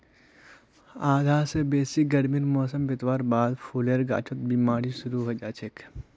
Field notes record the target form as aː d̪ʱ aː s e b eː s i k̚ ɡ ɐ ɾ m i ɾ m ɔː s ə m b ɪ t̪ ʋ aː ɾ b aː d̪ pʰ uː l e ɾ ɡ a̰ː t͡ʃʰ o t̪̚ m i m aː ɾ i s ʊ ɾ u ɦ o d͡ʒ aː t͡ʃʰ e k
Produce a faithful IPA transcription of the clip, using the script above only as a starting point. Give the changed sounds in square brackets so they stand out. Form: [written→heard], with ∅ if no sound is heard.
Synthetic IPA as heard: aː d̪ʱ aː s e b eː s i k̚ ɡ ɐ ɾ m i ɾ m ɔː s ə m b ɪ t̪ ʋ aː ɾ b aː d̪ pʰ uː l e ɾ ɡ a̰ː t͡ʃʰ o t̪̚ [m→b] i m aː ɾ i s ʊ ɾ u ɦ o d͡ʒ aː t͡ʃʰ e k